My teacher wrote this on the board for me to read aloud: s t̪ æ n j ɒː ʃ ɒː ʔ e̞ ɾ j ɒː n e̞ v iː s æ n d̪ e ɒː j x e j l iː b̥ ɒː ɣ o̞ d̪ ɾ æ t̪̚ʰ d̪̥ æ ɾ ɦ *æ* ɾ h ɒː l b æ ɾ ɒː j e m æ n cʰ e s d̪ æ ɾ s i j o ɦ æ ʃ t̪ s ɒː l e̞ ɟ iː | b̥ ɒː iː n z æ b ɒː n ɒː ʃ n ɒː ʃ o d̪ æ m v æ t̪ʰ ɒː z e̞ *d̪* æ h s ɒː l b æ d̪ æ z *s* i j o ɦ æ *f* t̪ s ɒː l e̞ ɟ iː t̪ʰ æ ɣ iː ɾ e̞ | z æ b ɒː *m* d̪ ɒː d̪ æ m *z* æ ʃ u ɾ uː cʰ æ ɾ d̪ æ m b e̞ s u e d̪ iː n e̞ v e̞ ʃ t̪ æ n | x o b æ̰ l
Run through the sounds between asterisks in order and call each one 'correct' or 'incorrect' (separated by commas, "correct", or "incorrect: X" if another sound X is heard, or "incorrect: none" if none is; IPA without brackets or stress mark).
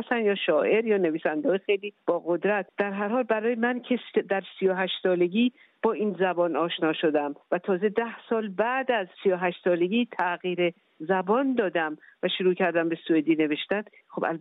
correct, correct, correct, incorrect: ʃ, incorrect: n, incorrect: v